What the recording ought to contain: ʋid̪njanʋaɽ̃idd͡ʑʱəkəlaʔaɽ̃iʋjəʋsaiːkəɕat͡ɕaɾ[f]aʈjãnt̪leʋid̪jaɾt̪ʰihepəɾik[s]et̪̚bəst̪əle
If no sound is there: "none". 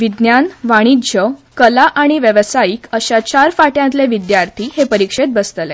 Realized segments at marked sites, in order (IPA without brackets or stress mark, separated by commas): f, ʂ